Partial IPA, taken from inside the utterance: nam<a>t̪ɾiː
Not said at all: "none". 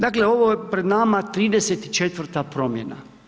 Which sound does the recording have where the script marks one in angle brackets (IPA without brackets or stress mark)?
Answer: a